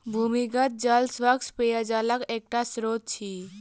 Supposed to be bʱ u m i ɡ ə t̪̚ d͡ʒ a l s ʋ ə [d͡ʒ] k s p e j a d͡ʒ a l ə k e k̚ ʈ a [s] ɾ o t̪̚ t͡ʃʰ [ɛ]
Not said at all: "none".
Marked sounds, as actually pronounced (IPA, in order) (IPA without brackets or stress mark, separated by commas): none, s, i